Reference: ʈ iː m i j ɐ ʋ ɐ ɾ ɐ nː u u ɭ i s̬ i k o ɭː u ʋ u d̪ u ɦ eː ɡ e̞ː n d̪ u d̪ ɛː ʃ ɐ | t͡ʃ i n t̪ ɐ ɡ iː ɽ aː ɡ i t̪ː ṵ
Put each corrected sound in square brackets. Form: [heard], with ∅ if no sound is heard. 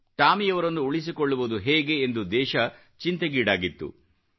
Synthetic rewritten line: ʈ [aː] m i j ɐ ʋ ɐ ɾ ɐ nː u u ɭ i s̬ i k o ɭː u ʋ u d̪ u ɦ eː ɡ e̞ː n d̪ u d̪ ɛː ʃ ɐ | t͡ʃ i n t̪ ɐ ɡ iː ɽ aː ɡ i t̪ː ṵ